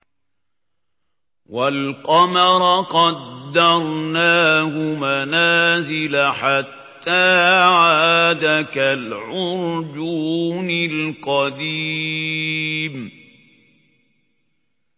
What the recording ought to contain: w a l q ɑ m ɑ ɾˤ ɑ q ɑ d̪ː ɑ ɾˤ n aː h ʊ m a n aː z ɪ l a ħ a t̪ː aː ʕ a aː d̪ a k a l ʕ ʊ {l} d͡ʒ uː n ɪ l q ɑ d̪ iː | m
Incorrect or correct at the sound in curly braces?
incorrect: ɾ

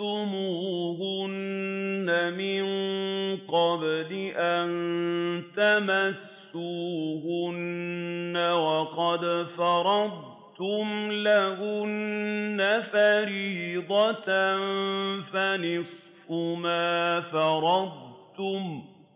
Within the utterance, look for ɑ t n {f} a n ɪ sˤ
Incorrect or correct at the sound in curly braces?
correct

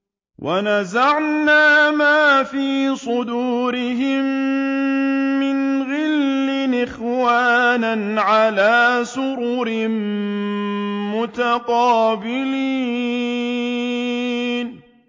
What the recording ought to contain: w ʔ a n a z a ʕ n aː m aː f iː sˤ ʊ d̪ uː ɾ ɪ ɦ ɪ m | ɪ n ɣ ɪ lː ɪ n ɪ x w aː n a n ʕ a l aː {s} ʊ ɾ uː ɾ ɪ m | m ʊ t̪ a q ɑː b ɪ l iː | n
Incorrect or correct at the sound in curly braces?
correct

